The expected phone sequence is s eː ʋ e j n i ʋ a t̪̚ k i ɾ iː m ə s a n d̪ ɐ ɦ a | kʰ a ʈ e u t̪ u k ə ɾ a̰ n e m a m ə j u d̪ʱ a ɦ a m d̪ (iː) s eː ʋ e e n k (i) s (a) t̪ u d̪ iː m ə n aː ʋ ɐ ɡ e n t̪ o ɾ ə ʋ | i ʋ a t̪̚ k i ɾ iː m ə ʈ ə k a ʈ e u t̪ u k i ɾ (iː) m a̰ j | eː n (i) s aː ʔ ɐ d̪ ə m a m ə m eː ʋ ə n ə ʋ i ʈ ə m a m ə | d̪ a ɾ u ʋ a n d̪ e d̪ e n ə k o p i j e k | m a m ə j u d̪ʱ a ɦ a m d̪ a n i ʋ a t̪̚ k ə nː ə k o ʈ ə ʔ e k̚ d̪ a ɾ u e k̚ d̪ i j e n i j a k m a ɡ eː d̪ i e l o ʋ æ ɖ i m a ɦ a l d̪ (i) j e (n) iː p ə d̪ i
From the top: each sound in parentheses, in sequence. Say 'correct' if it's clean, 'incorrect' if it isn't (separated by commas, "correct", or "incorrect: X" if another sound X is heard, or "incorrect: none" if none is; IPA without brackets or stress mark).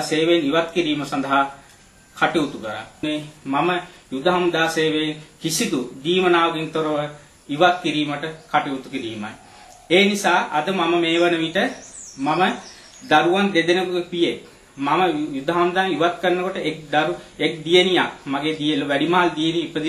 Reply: incorrect: aː, correct, incorrect: i, correct, correct, correct, correct